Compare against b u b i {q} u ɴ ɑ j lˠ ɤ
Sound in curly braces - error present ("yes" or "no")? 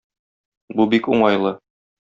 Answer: yes